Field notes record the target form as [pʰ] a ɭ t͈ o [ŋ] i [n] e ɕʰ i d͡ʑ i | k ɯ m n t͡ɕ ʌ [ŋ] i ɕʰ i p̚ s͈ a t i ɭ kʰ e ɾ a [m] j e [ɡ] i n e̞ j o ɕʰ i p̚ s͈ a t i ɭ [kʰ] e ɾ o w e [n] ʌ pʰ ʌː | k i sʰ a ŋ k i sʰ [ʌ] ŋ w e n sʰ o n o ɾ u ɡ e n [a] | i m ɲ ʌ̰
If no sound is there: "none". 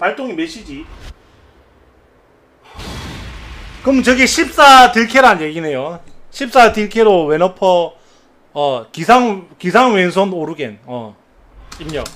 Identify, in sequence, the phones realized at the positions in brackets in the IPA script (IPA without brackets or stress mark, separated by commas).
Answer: p, ŋ, m, ɡ, n, ɡ, kʰ, n, a, ʌ